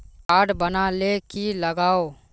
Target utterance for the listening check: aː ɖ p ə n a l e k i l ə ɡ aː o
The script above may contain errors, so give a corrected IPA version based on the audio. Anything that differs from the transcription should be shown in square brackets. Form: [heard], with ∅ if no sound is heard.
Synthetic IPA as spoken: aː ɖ [b] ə n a l e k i l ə ɡ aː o